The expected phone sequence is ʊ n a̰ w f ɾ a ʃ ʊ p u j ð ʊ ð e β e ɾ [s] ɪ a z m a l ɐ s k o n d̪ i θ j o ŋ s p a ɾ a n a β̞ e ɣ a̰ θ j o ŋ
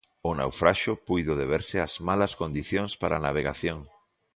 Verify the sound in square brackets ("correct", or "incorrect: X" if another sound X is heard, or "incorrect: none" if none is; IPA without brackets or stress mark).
correct